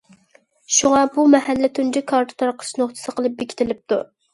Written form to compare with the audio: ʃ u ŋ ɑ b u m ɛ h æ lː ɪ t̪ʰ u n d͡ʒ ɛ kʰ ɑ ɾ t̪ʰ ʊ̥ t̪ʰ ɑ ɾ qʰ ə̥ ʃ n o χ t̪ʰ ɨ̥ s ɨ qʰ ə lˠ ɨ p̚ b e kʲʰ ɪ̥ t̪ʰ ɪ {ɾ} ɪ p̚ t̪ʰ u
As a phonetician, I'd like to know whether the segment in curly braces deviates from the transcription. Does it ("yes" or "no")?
yes